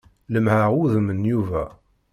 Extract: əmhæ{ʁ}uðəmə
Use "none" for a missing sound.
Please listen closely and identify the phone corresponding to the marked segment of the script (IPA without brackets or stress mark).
ʁ